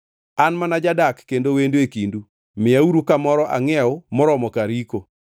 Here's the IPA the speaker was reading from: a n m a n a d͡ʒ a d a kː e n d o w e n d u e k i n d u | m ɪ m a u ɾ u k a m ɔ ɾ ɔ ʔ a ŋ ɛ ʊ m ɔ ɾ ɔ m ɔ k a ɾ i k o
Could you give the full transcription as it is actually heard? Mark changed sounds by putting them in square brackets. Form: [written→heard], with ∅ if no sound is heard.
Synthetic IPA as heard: a n m a n a d͡ʒ a d a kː e n d o w e n d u e k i n d u | m ɪ [m→∅] a u ɾ u k a m ɔ ɾ ɔ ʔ a ŋ ɛ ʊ m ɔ ɾ ɔ m ɔ k a ɾ i k o